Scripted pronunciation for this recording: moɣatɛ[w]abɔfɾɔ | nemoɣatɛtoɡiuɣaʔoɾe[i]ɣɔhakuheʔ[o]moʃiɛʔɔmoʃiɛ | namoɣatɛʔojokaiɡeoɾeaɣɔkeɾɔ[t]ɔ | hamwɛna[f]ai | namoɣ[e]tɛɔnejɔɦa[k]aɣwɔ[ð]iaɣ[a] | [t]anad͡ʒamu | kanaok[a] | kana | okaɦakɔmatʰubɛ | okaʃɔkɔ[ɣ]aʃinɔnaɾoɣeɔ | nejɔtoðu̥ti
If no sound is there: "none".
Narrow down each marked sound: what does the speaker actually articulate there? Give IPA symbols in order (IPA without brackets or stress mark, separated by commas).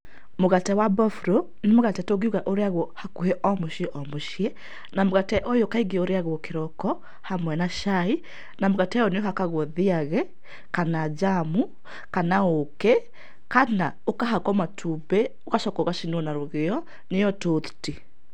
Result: w, a, ɔ, k, ʃ, a, k, ð, ɛ, k, ɛ, ɣ